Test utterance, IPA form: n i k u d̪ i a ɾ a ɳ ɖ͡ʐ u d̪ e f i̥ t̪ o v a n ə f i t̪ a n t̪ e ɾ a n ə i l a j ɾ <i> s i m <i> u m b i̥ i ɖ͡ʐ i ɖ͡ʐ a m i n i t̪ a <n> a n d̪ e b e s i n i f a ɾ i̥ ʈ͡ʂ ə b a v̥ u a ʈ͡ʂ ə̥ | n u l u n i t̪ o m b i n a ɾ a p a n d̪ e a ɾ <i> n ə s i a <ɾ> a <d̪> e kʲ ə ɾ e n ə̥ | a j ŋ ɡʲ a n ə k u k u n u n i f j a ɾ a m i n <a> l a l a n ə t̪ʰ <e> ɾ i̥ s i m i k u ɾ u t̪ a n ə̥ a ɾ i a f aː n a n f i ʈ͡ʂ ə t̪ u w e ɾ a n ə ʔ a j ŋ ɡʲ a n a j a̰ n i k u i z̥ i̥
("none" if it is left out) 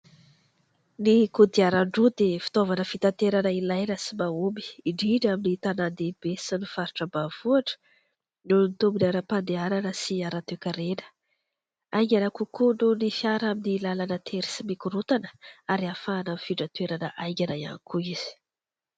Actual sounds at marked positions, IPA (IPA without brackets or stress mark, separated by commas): a, a, n, a, ɾ, t̪, i, e